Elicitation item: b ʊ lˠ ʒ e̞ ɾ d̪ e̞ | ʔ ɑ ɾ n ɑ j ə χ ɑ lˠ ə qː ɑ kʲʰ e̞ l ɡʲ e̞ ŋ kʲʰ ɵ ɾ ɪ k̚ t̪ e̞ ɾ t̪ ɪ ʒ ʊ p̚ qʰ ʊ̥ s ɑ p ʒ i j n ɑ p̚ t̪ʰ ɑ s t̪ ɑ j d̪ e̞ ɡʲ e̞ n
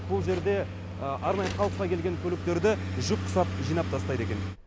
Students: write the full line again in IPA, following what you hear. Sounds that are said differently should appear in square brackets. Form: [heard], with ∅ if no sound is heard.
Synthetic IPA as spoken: b ʊ lˠ ʒ e̞ ɾ d̪ e̞ | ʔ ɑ ɾ n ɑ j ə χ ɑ lˠ ə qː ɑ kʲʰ e̞ l ɡʲ e̞ ŋ kʲʰ ɵ [l] ɪ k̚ t̪ e̞ ɾ [d̪] ɪ ʒ ʊ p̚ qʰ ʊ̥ s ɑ p ʒ i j n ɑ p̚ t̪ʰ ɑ s t̪ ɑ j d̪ e̞ [kʲ] e̞ n